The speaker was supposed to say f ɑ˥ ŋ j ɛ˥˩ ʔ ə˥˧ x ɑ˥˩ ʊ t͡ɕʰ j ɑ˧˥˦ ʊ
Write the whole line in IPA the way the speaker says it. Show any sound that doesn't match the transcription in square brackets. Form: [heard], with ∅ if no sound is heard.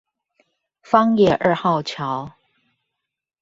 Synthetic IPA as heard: f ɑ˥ ŋ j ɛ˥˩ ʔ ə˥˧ x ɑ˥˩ ʊ t͡ɕʰ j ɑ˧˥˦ ʊ